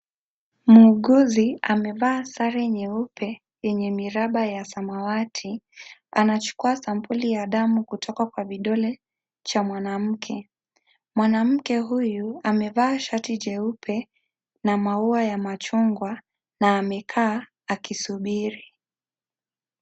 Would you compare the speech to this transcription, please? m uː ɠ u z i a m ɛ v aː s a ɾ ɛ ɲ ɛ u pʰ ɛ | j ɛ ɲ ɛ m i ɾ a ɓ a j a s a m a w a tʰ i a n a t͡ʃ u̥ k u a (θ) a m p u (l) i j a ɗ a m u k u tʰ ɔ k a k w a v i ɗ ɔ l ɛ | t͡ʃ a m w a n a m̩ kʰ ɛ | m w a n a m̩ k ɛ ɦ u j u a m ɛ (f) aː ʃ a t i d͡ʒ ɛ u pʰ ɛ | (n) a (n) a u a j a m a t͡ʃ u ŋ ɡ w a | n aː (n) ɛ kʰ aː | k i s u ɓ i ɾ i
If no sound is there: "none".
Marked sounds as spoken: s, l, v, n, m, m

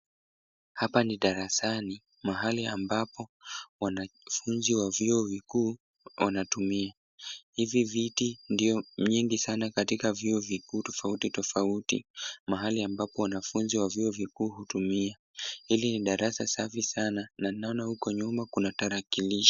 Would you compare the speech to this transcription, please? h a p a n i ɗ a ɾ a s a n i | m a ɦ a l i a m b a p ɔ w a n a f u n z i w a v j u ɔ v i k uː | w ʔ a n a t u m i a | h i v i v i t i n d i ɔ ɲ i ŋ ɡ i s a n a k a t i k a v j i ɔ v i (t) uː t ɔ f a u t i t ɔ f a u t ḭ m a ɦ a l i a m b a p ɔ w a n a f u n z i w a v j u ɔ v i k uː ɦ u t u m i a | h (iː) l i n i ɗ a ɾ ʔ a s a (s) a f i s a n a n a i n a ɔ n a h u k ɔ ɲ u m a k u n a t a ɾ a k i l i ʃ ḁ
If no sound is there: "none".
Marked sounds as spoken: k, i, s

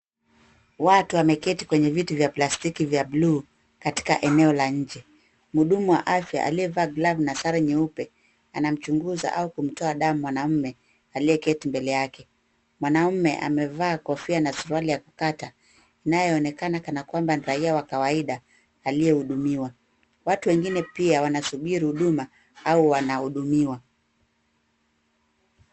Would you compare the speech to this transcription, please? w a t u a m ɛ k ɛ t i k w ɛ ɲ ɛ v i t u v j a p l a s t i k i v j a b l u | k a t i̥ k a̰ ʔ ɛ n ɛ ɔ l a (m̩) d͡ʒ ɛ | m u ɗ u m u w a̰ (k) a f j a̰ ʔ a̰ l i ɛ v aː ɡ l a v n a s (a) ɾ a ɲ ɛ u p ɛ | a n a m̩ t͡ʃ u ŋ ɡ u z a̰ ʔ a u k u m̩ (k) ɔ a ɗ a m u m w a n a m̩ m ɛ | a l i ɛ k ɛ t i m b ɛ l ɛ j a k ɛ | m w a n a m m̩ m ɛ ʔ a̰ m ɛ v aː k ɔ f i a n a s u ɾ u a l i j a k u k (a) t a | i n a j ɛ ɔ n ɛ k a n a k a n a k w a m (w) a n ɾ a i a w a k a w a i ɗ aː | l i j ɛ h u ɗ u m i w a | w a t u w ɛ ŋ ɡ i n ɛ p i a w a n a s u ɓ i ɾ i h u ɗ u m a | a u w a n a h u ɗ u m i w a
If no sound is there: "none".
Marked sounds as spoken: ɲ̩, ʔ, a, t, a, b

